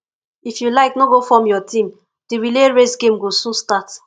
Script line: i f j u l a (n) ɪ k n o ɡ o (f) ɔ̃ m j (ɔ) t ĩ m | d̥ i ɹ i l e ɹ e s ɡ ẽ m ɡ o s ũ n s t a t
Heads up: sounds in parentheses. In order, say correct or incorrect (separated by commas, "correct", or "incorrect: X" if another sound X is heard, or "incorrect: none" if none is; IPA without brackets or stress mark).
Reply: incorrect: none, correct, correct